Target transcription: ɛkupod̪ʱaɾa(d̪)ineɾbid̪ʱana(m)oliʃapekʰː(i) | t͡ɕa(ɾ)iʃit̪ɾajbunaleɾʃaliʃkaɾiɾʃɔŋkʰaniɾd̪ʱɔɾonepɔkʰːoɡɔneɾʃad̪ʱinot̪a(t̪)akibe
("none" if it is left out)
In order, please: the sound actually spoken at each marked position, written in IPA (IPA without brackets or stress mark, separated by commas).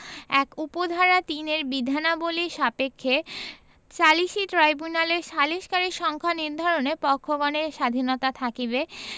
t̪, b, e, l, t̪ʰ